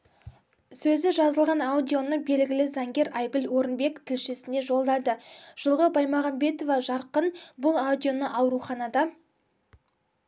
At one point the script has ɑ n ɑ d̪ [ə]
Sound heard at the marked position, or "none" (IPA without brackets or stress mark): ɑ